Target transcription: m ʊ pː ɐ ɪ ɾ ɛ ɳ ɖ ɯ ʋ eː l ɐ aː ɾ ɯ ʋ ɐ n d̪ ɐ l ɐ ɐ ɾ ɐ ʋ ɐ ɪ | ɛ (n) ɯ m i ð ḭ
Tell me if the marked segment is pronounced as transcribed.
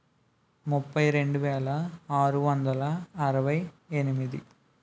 yes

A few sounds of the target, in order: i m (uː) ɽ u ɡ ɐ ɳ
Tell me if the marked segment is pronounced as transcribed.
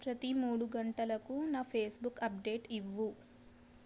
yes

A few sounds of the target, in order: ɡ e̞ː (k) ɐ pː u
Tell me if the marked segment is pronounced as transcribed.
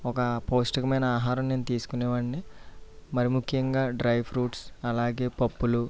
no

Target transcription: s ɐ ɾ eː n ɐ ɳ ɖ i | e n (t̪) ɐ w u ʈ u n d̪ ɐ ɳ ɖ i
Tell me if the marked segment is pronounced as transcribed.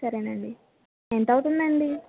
yes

